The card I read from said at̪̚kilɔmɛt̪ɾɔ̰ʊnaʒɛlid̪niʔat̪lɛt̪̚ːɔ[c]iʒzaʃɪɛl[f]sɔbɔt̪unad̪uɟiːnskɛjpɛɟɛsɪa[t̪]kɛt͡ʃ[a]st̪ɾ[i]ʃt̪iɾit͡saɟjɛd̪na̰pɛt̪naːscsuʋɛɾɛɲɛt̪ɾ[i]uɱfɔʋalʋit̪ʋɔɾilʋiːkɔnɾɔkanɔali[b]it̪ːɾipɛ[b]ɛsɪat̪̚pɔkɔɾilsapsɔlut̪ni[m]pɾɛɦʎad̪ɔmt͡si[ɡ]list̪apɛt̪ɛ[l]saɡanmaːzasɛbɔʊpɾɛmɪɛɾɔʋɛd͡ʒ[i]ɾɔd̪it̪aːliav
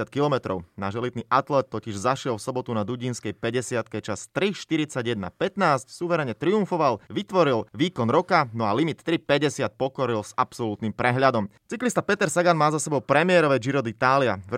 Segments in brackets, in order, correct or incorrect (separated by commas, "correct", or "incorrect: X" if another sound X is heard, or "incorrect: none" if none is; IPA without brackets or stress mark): correct, correct, correct, correct, correct, correct, incorrect: m, incorrect: ɟ, correct, incorrect: k, incorrect: ɾ, correct